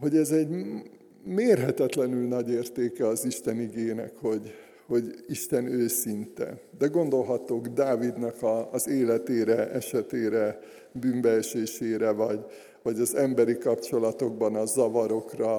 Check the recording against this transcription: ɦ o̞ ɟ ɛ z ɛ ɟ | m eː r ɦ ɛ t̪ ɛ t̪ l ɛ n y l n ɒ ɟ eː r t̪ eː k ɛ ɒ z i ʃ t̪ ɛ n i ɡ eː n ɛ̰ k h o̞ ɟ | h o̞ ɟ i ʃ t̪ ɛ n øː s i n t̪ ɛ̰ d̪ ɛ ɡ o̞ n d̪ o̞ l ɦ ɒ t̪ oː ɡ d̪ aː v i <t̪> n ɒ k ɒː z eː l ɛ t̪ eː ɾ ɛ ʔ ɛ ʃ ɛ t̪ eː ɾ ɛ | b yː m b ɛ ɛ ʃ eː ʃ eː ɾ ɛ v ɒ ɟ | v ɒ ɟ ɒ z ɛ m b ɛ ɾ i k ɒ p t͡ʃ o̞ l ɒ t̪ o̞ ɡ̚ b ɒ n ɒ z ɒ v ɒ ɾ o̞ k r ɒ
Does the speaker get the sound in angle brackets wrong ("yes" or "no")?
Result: yes